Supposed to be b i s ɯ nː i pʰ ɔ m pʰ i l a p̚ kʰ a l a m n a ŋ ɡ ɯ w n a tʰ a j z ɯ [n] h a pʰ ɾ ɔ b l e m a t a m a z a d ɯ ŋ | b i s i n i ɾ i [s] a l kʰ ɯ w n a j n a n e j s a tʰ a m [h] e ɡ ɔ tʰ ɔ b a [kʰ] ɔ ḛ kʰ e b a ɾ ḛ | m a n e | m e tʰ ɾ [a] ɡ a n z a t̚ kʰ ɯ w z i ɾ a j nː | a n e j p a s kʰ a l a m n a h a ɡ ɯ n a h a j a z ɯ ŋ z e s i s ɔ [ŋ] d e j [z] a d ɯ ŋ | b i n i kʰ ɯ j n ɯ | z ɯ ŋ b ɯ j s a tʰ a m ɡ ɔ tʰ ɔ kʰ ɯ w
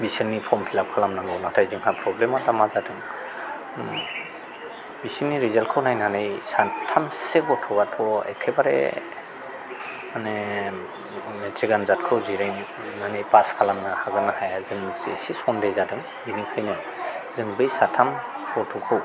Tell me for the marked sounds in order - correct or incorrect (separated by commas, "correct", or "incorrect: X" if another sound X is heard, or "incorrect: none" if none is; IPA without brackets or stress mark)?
incorrect: ŋ, incorrect: z, incorrect: s, incorrect: tʰ, incorrect: i, incorrect: n, correct